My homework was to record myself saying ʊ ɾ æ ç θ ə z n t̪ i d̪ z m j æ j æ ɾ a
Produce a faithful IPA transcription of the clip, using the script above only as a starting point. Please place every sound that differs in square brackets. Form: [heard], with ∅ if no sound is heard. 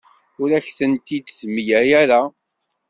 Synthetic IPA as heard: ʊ ɾ æ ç θ ə [∅] n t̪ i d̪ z m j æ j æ ɾ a

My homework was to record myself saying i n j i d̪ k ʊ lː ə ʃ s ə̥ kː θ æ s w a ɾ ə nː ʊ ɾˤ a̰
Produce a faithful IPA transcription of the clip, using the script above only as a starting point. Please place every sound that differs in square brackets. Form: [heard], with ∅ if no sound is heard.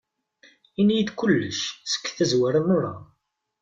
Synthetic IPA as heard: i n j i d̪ k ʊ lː ə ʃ s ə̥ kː θ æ [z] w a ɾ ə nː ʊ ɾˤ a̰

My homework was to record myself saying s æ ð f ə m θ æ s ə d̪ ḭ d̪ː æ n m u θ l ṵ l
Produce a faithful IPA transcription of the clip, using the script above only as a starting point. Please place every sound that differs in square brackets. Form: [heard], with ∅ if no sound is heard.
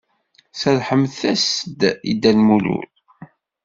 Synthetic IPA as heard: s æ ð [ħ] ə m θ æ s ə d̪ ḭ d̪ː æ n m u [∅] l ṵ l

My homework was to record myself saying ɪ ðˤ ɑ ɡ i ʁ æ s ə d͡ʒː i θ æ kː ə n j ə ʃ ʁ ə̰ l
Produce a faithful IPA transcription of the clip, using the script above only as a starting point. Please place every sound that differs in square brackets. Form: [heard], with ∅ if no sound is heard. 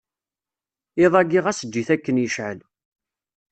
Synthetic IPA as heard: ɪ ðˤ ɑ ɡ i ʁ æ s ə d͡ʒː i θ æ kː ə n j ə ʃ [ʕ] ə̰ l

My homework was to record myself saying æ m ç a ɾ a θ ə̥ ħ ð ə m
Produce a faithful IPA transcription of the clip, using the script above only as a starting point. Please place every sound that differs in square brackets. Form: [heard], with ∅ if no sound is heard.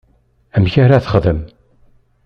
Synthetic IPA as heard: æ m ç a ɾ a θ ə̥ [χ] ð ə m

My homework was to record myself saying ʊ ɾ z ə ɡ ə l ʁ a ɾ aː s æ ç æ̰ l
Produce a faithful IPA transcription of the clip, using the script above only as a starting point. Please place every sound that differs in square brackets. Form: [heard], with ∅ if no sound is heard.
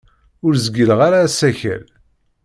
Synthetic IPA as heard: ʊ ɾ z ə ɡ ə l ʁ a ɾ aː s æ ç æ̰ l

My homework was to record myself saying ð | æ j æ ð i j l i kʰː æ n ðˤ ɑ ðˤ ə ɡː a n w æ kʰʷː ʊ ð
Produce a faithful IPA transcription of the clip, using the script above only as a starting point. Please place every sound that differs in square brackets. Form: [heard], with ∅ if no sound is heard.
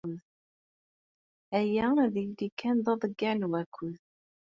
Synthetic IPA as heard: ð | æ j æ ð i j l i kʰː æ n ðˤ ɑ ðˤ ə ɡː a n w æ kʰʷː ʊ ð

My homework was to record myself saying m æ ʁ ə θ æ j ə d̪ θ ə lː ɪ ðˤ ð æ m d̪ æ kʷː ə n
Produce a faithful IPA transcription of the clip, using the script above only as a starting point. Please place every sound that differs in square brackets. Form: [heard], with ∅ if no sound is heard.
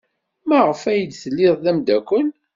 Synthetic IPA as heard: m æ ʁ ə [f] æ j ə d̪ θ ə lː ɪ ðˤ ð æ m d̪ æ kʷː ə n

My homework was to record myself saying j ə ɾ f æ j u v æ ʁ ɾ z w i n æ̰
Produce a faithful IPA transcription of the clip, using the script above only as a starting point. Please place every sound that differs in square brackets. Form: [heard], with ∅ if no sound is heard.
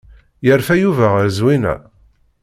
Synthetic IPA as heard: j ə ɾ f æ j u v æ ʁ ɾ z w i n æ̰

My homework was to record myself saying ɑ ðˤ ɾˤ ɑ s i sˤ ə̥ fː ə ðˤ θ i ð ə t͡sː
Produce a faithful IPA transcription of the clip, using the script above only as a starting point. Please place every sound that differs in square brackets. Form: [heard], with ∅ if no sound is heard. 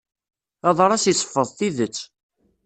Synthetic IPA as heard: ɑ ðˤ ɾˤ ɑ s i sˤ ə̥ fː ə ðˤ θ i ð ə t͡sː

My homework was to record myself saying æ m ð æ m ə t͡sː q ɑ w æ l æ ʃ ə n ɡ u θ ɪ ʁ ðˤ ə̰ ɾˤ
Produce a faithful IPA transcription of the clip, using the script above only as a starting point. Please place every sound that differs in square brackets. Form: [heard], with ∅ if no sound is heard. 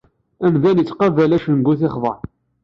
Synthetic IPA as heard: æ m ð æ [n] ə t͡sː q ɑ [v] æ l æ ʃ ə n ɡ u θ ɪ [χ] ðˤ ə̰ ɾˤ

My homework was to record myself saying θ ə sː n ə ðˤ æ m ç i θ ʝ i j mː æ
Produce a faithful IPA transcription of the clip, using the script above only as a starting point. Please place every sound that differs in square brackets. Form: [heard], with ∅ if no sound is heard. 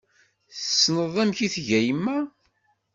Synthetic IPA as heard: θ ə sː n ə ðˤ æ m ç i θ ʝ [æ] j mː æ

